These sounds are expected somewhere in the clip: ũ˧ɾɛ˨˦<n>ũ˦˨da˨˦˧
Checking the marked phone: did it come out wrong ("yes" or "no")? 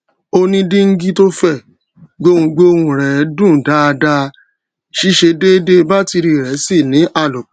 yes